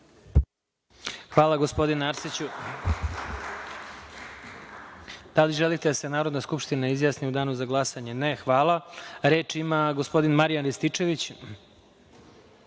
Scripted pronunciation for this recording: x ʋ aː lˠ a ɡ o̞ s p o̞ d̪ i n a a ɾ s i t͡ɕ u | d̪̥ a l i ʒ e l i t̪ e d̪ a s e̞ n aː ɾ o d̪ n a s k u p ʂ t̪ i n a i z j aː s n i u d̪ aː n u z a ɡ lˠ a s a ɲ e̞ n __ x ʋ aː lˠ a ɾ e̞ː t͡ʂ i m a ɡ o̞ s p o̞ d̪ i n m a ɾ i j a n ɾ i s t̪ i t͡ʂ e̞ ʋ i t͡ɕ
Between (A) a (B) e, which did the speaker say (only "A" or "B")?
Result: B